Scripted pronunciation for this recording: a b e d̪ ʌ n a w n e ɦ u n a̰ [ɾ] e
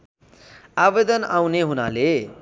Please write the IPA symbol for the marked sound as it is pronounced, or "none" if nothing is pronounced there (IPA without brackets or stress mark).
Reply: l